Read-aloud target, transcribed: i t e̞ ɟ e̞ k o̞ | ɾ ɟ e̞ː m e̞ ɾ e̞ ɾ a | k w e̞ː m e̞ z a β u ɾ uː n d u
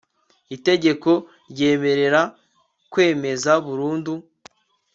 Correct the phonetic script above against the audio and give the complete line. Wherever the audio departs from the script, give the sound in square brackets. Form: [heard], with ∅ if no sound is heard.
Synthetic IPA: i t e̞ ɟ e̞ k o̞ | ɾ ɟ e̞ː m e̞ ɾ e̞ ɾ a | k w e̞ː m e̞ z a β u ɾ uː n d u